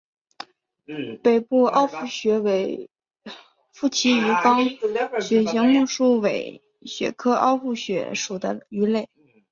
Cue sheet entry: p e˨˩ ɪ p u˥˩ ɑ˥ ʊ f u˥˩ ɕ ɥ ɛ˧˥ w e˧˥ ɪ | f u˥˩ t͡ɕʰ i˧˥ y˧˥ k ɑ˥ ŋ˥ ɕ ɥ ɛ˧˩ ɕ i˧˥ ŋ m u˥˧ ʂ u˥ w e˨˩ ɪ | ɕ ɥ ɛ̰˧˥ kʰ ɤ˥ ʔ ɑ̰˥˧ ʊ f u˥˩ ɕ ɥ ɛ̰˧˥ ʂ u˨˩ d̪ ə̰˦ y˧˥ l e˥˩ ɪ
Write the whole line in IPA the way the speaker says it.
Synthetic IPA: p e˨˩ ɪ p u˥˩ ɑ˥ ʊ f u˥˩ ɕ ɥ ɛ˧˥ w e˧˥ ɪ | f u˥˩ t͡ɕʰ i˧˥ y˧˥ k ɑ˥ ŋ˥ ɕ ɥ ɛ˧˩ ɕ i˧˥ ŋ m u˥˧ ʂ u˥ w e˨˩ ɪ | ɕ ɥ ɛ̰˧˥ kʰ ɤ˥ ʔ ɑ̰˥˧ ʊ f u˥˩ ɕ ɥ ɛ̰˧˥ ʂ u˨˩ d̪ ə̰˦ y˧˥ l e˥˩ ɪ